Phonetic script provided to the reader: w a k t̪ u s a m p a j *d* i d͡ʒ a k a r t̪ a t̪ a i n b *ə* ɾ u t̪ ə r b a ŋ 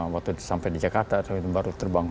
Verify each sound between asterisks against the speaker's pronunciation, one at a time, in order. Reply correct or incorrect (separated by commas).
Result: correct, incorrect